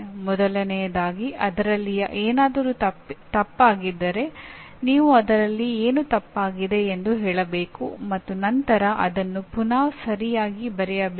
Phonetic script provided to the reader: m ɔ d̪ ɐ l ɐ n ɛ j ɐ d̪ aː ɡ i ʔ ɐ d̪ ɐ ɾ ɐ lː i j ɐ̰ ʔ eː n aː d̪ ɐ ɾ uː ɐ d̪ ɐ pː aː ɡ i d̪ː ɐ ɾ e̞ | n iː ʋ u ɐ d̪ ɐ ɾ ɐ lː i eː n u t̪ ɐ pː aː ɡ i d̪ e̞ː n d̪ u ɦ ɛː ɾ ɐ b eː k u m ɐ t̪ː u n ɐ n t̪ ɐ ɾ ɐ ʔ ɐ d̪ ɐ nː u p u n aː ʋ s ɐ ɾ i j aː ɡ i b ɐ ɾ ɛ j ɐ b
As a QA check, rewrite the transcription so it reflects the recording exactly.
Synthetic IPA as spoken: m ɔ d̪ ɐ l ɐ n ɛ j ɐ d̪ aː ɡ i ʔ ɐ d̪ ɐ ɾ ɐ lː i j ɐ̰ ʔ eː n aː d̪ ɐ ɾ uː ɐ t̪ ɐ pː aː ɡ i d̪ː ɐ ɾ e̞ | n iː ʋ u ɐ d̪ ɐ ɾ ɐ lː i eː n u t̪ ɐ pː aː ɡ i d̪ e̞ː n d̪ u ɦ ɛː ɭ ɐ b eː k u m ɐ t̪ː u n ɐ n t̪ ɐ ɾ ɐ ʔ ɐ d̪ ɐ nː u p u n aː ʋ s ɐ ɾ i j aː ɡ i b ɐ ɾ ɛ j ɐ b